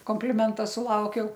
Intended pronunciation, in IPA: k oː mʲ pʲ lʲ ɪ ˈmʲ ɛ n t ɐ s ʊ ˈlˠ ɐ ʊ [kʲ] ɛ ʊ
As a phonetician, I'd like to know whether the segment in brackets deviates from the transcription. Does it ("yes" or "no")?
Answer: no